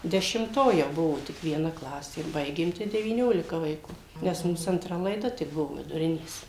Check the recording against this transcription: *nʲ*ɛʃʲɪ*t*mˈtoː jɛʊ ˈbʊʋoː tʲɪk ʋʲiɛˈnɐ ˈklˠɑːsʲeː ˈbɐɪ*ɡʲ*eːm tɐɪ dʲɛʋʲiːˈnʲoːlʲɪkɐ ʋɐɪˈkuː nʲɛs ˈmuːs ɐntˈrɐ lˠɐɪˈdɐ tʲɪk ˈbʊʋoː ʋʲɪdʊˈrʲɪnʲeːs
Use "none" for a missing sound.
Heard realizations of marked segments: dʲ, none, ɡʲ

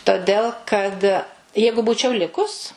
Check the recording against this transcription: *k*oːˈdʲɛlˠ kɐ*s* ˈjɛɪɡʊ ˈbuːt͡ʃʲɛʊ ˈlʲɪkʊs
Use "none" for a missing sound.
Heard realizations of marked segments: t, t

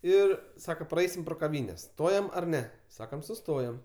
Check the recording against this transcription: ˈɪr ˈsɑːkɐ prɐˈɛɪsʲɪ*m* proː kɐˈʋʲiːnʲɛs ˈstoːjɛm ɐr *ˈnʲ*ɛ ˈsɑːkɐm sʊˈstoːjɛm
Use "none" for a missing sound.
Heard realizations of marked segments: m, nʲ

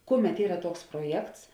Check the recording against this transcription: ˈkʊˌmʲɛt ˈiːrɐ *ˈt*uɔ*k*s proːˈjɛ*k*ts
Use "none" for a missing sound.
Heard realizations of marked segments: t, k, k

